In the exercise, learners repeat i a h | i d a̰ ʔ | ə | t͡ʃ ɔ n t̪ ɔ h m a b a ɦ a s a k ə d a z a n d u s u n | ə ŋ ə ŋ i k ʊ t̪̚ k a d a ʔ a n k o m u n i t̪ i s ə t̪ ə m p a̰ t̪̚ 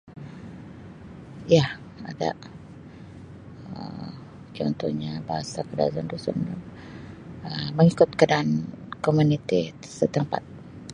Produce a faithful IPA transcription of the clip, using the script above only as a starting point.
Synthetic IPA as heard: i a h | a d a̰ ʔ | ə | t͡ʃ ɔ n t̪ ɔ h ɲ a b a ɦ a s a k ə d a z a n d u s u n | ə m ə ŋ i k ʊ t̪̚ k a d a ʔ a n k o m u n i t̪ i s ə t̪ ə m p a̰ t̪̚